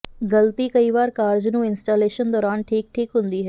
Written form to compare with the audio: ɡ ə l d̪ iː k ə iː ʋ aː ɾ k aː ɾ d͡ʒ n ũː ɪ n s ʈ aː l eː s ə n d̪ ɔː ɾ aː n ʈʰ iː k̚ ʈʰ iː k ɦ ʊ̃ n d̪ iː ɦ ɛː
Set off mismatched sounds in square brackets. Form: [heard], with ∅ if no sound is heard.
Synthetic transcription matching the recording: ɡ ə l [t̪] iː k ə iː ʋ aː ɾ k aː ɾ d͡ʒ n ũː ɪ n s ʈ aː l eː [ʃ] ə n d̪ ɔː ɾ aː n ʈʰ iː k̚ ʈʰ iː k ɦ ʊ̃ n d̪ iː ɦ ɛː